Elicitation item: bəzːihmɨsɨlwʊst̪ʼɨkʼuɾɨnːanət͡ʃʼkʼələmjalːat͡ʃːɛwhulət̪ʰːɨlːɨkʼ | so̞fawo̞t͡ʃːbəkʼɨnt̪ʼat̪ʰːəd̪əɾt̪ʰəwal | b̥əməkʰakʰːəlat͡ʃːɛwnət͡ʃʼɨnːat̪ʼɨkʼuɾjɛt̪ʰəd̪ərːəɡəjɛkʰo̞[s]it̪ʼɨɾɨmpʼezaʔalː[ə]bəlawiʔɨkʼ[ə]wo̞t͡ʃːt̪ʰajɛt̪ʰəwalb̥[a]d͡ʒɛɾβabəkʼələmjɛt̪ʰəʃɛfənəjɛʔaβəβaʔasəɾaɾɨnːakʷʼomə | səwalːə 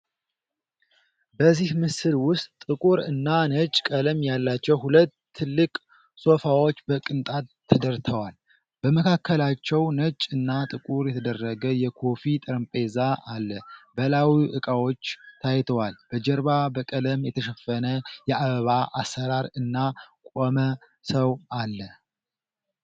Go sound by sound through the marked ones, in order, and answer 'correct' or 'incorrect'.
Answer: incorrect, correct, incorrect, incorrect

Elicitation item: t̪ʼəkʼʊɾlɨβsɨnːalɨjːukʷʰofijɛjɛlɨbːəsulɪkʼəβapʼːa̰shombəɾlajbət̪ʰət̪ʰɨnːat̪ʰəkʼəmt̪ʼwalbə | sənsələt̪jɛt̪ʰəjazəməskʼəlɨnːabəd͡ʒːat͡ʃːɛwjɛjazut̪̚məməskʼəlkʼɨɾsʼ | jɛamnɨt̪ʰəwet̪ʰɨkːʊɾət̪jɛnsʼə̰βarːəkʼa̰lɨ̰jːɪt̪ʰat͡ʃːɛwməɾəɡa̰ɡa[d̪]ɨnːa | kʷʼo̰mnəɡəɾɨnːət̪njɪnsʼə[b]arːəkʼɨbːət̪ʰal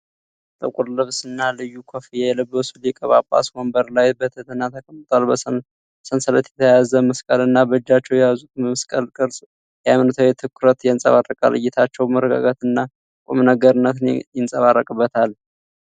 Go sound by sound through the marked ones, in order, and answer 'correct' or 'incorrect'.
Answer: incorrect, incorrect

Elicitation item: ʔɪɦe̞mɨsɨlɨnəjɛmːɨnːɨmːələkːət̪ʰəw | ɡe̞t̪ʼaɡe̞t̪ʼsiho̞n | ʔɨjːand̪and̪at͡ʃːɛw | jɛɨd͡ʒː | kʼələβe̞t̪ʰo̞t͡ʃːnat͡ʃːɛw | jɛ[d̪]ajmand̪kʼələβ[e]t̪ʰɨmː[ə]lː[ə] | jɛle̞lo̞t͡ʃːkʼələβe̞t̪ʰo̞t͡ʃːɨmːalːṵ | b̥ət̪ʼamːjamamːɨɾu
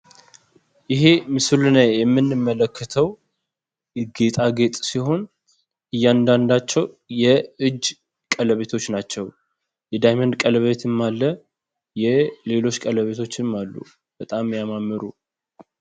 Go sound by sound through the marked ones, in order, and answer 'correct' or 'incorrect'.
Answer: correct, correct, incorrect, correct

